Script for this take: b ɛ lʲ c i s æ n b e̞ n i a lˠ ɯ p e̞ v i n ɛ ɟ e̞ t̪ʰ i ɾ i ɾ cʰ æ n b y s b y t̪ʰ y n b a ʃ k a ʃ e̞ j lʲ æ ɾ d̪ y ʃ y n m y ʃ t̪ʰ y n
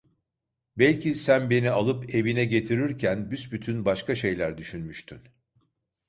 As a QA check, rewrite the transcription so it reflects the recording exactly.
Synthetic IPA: b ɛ lʲ c i s æ n b e̞ n i a lˠ ɯ p e̞ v i n ɛ ɟ e̞ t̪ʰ i ɾ i ɾ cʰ æ n b y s b y t̪ʰ y n b a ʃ k a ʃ e̞ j lʲ æ ɾ d̪ y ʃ y n m y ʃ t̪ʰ y n